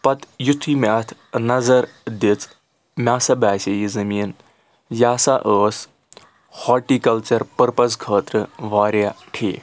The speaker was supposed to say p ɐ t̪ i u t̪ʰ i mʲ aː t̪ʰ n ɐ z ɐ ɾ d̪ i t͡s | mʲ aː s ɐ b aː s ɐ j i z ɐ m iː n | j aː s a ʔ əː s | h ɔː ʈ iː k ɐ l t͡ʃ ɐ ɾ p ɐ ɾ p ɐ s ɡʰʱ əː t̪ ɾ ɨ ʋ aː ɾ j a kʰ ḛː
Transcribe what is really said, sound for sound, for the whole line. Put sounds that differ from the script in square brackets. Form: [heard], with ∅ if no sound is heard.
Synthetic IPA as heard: p ɐ t̪ [j] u t̪ʰ i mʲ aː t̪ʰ n ɐ z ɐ ɾ d̪ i t͡s | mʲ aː s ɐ b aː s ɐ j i z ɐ m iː n | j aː s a ʔ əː s | h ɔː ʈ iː k ɐ l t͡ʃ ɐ ɾ p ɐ ɾ p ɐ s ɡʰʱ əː t̪ ɾ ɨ ʋ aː ɾ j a [ʈʰ] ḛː